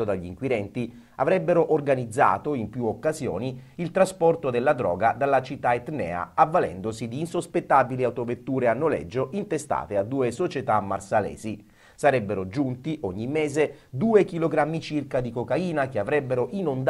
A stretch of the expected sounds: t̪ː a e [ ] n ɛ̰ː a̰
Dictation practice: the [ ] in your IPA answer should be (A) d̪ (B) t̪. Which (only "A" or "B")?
B